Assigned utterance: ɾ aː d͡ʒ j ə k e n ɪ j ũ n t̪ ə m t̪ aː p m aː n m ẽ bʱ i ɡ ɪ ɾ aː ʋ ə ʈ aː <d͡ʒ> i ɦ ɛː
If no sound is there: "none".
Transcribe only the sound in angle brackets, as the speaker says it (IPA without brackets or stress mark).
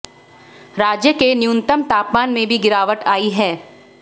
none